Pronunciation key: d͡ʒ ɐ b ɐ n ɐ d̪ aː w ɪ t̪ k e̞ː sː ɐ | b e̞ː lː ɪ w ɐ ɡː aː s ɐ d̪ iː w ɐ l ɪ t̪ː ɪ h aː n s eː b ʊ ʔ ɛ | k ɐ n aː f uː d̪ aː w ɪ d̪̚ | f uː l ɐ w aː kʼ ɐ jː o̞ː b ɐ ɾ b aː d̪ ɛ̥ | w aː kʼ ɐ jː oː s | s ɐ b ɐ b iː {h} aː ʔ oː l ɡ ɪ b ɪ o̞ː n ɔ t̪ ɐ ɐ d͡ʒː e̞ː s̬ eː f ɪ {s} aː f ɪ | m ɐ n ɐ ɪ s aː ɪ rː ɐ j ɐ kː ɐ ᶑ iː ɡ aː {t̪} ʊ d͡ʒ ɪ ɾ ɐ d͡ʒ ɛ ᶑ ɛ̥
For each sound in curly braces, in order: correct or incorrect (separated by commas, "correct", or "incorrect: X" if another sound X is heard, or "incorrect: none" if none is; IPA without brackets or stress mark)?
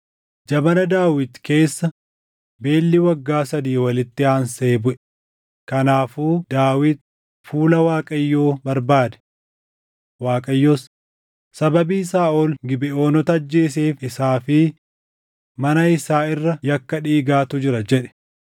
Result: incorrect: s, correct, correct